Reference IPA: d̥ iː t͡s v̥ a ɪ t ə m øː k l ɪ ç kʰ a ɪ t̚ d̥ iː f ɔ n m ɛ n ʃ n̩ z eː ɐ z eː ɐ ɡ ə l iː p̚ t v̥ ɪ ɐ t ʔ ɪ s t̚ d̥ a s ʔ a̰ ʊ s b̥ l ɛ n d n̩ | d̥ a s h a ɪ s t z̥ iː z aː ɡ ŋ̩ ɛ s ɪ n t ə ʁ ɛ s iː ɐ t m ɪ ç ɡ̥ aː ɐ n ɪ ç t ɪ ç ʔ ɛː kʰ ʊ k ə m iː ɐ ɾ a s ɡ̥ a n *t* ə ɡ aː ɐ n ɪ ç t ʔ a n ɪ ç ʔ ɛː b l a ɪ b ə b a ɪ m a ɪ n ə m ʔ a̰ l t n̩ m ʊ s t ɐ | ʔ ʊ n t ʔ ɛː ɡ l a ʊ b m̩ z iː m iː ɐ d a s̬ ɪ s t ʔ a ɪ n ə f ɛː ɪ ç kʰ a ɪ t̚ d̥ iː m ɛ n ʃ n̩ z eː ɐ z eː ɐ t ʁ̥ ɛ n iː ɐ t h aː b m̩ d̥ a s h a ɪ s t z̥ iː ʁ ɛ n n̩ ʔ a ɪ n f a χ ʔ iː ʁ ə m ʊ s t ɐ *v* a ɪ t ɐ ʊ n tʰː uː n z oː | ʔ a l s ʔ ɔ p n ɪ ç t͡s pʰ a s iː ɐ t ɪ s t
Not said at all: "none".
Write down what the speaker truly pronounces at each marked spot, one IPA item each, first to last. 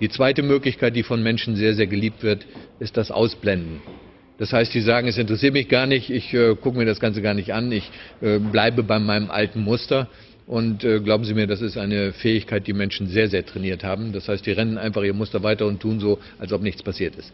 t͡s, v

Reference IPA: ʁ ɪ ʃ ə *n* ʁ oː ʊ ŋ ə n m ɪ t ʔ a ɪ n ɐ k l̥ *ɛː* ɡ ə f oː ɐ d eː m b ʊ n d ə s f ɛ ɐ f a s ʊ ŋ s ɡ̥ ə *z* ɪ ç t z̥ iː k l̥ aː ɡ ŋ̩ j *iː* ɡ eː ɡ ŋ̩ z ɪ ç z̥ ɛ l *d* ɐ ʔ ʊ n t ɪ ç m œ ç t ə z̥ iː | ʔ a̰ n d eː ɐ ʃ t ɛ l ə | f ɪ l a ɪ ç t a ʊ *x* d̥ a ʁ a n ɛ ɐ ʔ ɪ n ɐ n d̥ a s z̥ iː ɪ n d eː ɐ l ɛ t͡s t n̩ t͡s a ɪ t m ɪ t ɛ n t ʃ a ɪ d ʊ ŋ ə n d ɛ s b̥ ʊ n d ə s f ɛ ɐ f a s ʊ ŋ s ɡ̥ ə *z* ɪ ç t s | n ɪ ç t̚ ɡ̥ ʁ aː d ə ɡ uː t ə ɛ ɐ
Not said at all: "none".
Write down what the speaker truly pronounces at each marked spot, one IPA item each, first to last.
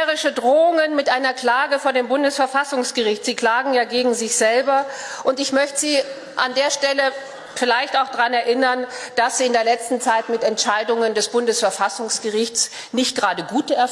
d, aː, ʁ, aː, b, x, ʁ

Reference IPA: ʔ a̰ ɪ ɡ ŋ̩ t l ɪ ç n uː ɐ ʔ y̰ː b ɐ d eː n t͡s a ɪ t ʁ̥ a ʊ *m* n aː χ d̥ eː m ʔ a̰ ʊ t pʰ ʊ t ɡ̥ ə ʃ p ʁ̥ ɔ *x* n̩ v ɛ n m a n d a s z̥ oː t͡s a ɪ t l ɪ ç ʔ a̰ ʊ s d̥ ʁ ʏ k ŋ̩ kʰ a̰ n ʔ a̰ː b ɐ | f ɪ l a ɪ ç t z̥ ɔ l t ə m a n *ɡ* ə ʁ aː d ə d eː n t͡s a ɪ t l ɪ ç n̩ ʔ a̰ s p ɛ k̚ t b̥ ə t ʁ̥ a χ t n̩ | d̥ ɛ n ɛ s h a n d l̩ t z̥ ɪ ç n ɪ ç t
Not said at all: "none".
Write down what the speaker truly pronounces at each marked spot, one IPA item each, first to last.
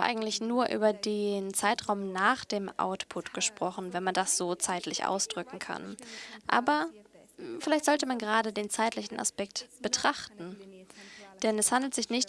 m, χ, ɡ

